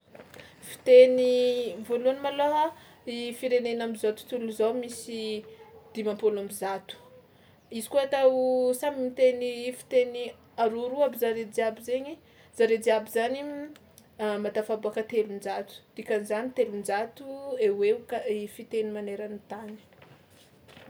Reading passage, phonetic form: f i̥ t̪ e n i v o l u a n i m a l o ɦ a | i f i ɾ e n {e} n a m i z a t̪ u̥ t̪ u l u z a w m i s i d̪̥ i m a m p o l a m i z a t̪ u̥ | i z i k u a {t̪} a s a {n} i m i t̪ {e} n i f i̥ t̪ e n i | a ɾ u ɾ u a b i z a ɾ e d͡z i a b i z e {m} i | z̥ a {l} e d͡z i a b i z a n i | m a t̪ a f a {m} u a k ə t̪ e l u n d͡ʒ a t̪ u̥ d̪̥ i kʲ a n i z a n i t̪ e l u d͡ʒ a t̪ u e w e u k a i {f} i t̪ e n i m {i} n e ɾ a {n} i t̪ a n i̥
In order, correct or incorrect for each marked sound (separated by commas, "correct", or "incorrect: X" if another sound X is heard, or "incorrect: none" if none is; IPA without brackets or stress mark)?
correct, correct, incorrect: m, correct, incorrect: ɲ, incorrect: ɾ, incorrect: b, correct, incorrect: a, correct